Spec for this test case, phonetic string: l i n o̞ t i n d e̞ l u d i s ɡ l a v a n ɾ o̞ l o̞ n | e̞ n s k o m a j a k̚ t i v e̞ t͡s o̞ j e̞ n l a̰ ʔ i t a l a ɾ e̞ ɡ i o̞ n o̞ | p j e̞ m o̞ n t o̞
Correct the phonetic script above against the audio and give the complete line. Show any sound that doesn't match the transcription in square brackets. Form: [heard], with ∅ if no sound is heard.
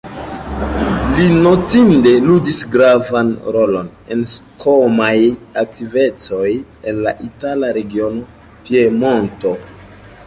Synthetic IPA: l i n o̞ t i n d e̞ l u d i s ɡ [ɾ] a v a n ɾ o̞ l o̞ n | e̞ n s k o m a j a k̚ t i v e̞ t͡s o̞ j e̞ n l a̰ ʔ i t a l a ɾ e̞ ɡ i o̞ n o̞ | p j e̞ m o̞ n t o̞

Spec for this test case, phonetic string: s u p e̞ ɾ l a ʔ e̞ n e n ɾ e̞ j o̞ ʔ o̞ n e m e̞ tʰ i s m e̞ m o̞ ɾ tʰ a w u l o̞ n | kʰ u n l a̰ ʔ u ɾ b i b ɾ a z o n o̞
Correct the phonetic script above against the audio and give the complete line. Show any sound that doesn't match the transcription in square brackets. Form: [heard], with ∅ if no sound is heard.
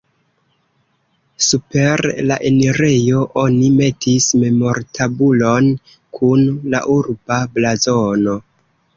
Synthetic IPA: s u p e̞ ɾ l a ʔ e̞ n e [∅] ɾ e̞ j o̞ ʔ o̞ n [i] m e̞ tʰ i s m e̞ m o̞ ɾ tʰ a [b] u l o̞ n | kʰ u n l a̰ ʔ u ɾ b [a] b [l] a z o n o̞

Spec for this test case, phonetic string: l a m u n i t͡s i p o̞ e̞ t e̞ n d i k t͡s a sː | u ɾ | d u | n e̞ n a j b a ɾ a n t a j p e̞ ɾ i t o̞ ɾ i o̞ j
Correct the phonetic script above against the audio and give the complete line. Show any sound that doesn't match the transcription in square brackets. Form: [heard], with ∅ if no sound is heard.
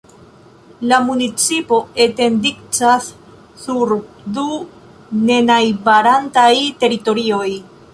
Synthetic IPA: l a m u n i t͡s i p o̞ e̞ t e̞ n d i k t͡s a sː | u ɾ | d u | n e̞ n a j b a ɾ a n t a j [t] e̞ ɾ i t o̞ ɾ i o̞ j

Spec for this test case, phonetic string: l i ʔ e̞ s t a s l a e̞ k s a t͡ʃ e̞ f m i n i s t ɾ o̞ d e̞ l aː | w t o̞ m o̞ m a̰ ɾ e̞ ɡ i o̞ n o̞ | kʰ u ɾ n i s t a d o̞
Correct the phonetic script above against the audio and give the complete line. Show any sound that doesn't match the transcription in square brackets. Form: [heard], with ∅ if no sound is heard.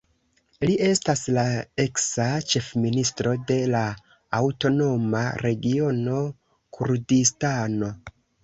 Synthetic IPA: l i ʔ e̞ s t a s l a e̞ k s a t͡ʃ e̞ f m i n i s t ɾ o̞ d e̞ l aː | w t o̞ [n] o̞ m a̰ ɾ e̞ ɡ i o̞ n o̞ | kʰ u ɾ [d] i s t a [n] o̞

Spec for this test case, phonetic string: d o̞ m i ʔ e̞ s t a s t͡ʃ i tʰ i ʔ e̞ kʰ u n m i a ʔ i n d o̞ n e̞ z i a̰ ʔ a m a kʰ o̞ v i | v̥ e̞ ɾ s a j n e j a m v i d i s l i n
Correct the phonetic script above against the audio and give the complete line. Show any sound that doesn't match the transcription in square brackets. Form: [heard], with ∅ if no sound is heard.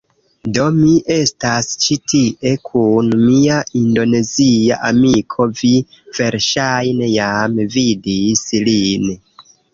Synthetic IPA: d o̞ m i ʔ e̞ s t a s t͡ʃ i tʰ i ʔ e̞ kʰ u n m i a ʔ i n d o̞ n e̞ z i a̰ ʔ a m [i] kʰ o̞ v i | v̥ e̞ ɾ [ʃ] a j n e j a m v i d i s l i n

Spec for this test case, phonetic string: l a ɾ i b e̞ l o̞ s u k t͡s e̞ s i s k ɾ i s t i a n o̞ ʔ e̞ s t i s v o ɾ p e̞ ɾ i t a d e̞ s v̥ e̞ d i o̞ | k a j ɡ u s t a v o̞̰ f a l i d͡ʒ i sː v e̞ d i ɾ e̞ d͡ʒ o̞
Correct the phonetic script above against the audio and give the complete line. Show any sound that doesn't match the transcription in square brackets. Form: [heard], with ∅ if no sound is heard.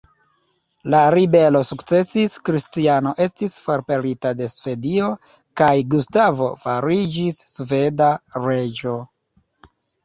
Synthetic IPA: l a ɾ i b e̞ l o̞ s u k t͡s e̞ s i s k ɾ i s t i a n o̞ ʔ e̞ s t i s [f] o ɾ p e̞ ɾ i t a d e̞ s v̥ e̞ d i o̞ | k a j ɡ u s t a v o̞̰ f a [ɾ] i d͡ʒ i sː v e̞ d [a] ɾ e̞ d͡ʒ o̞

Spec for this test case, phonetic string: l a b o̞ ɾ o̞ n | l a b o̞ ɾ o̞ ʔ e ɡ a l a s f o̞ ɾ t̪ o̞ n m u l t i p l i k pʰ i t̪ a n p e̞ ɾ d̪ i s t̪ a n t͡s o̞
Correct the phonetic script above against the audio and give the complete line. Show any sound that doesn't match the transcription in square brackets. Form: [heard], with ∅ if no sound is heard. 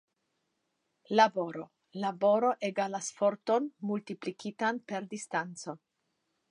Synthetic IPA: l a b o̞ ɾ o̞ [∅] | l a b o̞ ɾ o̞ ʔ e ɡ a l a s f o̞ ɾ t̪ o̞ n m u l t i p l i k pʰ i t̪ a n p e̞ ɾ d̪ i s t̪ a n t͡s o̞

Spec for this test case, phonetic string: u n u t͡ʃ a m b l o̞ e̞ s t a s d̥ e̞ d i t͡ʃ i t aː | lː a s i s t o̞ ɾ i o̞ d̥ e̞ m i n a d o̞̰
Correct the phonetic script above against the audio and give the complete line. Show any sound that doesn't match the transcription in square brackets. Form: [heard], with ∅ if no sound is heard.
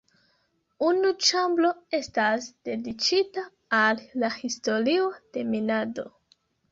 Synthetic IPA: u n u t͡ʃ a m b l o̞ e̞ s t a s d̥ e̞ d i t͡ʃ i t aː | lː a [h] i s t o̞ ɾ i o̞ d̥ e̞ m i n a d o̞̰

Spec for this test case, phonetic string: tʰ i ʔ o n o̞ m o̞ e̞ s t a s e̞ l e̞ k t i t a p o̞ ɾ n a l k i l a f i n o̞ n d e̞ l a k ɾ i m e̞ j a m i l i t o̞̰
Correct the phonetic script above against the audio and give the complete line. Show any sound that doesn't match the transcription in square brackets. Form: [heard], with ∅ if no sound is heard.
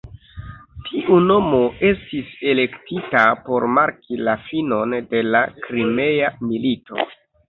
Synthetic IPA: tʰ i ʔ [u] n o̞ m o̞ e̞ s t [i] s e̞ l e̞ k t i t a p o̞ ɾ [m] a [ɾ] k i l a f i n o̞ n d e̞ l a k ɾ i m e̞ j a m i l i t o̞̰

